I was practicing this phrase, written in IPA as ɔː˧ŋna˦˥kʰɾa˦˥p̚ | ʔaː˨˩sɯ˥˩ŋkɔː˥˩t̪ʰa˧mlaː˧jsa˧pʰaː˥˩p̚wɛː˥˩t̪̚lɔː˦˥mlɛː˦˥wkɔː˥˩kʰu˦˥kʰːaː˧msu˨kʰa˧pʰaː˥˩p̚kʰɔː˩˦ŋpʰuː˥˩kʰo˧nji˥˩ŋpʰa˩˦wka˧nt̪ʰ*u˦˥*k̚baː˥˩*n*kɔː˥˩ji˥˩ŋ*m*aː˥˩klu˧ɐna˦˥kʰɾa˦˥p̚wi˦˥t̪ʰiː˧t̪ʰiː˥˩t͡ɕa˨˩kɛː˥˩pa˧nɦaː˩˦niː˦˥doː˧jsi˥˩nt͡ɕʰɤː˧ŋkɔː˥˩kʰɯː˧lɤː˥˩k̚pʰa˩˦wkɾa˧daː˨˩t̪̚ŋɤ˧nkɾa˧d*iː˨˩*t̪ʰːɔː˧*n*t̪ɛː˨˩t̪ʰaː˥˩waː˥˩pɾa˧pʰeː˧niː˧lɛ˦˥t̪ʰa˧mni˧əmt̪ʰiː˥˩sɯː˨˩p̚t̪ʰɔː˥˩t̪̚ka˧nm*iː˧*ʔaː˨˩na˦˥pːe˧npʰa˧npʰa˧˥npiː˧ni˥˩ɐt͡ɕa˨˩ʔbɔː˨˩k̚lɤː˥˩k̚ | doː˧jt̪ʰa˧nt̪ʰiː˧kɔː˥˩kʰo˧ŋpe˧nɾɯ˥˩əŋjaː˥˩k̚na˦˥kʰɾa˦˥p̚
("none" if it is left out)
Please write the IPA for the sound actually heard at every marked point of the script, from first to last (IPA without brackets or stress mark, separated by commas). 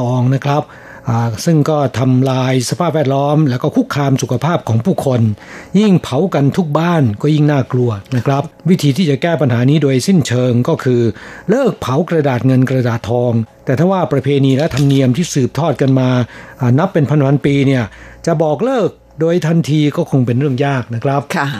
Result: u˦˥, n, n, aː˨˩, ŋ, aː˧